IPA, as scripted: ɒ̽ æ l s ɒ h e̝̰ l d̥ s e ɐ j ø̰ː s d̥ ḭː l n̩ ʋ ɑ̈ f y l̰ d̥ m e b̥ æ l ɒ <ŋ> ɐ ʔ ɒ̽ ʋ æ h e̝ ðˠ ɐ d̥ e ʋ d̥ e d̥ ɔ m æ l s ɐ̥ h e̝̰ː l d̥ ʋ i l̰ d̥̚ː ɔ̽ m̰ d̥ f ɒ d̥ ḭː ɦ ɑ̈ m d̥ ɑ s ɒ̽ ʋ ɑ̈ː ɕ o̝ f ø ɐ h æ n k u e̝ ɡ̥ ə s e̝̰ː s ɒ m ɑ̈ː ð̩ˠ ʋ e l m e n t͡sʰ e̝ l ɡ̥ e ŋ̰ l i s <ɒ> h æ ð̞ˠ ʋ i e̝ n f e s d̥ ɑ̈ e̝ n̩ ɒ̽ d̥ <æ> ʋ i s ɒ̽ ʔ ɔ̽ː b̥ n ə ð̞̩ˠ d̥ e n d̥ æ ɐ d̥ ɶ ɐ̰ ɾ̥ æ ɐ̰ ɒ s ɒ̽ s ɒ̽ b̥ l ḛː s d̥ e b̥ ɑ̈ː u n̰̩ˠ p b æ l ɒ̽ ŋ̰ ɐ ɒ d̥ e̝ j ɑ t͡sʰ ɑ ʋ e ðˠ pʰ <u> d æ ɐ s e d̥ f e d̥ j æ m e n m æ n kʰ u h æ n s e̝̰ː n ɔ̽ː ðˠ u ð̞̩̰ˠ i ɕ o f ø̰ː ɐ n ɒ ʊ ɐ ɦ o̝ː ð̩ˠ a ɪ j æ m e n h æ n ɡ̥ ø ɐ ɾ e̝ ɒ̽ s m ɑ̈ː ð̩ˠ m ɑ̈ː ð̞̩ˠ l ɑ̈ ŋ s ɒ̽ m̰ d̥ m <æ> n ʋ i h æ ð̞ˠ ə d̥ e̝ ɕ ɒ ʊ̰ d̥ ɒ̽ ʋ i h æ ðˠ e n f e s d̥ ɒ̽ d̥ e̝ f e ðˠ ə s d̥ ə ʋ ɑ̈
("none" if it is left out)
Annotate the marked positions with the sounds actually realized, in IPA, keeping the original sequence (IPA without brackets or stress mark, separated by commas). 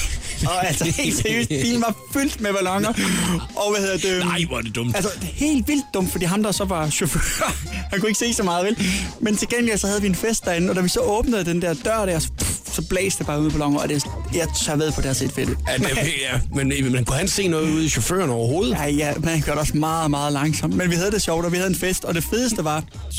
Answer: ŋ, ɒ, æ, ɒ, e